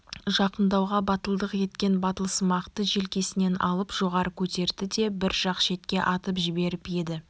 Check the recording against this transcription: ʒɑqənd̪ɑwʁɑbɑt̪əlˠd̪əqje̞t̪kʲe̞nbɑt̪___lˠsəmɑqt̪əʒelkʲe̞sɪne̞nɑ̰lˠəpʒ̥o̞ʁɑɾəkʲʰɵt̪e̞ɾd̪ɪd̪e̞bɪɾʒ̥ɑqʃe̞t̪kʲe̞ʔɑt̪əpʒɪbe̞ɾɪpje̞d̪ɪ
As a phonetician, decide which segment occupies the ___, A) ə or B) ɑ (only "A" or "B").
A